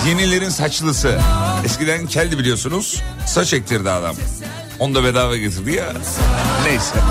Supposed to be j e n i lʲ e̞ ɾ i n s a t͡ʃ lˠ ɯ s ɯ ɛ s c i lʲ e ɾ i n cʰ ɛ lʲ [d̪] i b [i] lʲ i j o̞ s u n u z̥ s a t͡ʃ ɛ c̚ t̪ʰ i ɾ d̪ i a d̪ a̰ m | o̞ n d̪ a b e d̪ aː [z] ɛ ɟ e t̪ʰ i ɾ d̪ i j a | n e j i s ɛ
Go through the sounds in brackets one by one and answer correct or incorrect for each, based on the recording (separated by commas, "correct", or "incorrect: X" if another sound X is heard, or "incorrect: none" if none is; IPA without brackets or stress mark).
correct, correct, incorrect: v